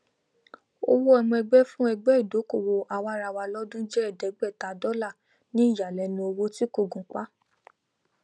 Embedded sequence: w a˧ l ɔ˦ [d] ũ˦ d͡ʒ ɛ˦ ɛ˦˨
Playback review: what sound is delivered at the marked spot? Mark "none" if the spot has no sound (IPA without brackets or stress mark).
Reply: d